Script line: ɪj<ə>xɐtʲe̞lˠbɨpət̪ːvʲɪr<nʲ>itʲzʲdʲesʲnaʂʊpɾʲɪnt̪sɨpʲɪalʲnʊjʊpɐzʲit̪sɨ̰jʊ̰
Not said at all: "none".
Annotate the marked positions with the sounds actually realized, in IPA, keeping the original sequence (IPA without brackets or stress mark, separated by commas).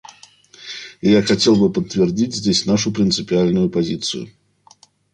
a, dʲ